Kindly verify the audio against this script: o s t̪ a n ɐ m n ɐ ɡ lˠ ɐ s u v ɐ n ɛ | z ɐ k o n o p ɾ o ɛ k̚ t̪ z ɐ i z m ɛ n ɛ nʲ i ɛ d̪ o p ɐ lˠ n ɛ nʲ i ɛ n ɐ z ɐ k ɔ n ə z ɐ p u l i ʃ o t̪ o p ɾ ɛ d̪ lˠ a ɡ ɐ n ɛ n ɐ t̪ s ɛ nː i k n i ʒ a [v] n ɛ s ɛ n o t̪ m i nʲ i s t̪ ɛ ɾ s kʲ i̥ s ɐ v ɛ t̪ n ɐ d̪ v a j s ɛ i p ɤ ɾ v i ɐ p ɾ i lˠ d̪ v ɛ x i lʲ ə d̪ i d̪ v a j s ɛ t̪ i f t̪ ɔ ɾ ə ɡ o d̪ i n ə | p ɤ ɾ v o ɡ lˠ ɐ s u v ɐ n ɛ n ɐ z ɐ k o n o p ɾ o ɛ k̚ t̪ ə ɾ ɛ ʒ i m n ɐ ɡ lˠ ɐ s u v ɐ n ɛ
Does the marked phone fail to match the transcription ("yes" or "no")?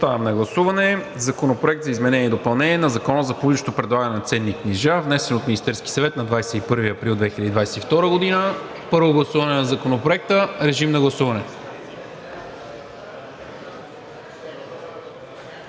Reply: no